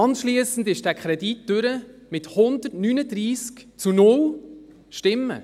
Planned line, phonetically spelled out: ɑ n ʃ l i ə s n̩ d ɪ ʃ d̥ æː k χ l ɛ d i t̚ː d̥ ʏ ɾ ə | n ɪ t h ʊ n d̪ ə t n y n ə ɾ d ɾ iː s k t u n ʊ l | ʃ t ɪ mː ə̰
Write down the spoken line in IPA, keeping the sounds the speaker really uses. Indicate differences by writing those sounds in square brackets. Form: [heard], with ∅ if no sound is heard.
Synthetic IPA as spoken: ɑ n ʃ l i ə s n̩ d ɪ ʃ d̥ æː k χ [ɾ] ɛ d i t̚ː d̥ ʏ ɾ ə | [m] ɪ t h ʊ n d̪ ə t n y n ə [∅] d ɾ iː s k [t͡s] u n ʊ l | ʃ t ɪ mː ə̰